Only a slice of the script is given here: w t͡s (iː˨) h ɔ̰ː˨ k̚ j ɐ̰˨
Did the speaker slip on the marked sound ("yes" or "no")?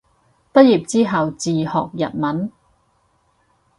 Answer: no